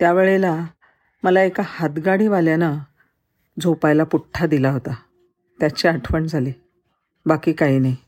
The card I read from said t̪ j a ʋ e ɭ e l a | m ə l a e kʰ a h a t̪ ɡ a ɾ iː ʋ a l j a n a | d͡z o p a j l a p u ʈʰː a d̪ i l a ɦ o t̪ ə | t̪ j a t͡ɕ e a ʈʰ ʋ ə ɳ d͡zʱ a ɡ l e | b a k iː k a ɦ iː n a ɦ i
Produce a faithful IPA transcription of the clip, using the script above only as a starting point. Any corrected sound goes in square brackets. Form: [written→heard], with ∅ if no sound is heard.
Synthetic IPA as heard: t̪ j a ʋ e ɭ e l a | m ə l a e [kʰ→k] a h a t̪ ɡ a [ɾ→ɽ] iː ʋ a l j a n a | d͡z o p a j l a p u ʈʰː a d̪ i l a ɦ o t̪ [ə→a] | t̪ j a t͡ɕ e a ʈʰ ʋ ə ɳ d͡zʱ a [ɡ→∅] l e | b a k iː k a ɦ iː n a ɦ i